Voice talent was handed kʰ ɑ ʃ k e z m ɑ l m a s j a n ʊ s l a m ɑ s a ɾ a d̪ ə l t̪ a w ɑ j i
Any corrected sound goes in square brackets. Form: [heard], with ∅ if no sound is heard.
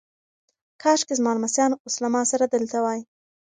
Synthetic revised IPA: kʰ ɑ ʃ k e z m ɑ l m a s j [ɑ] n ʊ s l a m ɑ s a ɾ a d̪ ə l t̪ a w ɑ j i